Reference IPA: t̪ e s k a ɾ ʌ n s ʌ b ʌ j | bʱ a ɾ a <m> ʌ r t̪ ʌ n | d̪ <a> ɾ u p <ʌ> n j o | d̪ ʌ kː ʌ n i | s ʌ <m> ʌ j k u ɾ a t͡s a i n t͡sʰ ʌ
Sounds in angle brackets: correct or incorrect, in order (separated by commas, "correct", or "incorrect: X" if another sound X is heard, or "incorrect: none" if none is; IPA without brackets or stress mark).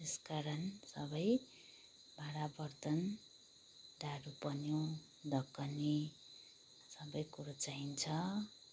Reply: incorrect: b, correct, correct, incorrect: b